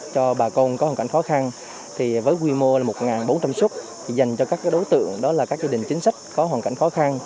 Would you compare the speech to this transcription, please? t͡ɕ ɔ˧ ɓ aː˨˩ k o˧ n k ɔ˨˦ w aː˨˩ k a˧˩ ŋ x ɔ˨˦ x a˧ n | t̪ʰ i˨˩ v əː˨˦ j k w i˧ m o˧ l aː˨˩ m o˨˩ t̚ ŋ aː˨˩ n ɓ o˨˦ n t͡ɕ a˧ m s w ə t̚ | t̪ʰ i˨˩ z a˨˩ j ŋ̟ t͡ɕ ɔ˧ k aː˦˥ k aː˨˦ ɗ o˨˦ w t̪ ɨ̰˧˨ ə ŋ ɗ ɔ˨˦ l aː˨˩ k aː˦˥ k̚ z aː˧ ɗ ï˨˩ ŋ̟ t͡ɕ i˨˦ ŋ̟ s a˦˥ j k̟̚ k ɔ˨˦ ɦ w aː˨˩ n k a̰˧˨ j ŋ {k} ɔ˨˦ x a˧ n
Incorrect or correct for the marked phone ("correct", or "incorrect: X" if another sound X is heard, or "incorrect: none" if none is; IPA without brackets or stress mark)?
incorrect: x